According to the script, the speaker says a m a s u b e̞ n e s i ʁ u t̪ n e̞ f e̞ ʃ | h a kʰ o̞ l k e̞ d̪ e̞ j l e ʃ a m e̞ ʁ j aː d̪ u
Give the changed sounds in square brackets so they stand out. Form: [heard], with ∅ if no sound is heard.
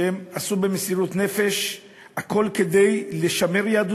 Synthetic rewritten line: [e] m a s u b e̞ [m] e s i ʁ u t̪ n e̞ f e̞ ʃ | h a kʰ o̞ l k e̞ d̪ e̞ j l e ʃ a m e̞ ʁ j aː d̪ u